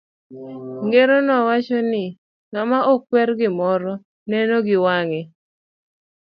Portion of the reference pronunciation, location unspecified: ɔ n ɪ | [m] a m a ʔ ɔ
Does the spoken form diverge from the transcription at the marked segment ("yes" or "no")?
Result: yes